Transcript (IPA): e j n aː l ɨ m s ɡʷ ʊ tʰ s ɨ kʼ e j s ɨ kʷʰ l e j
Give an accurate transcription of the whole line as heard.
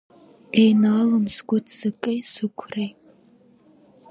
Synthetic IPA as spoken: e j n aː l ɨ m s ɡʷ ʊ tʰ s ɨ kʼ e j s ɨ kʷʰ r e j